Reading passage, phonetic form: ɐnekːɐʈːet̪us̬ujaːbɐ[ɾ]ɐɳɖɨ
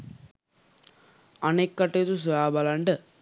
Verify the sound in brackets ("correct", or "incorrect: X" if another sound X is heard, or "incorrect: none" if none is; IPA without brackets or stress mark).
incorrect: l